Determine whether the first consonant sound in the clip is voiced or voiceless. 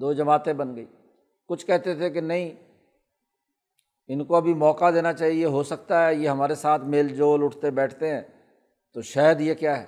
voiced